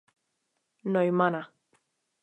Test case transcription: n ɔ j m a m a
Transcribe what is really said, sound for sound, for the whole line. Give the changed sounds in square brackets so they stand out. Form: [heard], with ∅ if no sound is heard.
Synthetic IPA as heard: n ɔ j m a [n] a